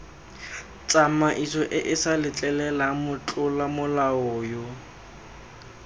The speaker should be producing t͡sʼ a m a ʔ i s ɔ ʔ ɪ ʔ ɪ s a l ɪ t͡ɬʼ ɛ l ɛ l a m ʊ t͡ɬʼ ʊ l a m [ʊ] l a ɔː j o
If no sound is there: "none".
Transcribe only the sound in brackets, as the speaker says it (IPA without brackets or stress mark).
ʊ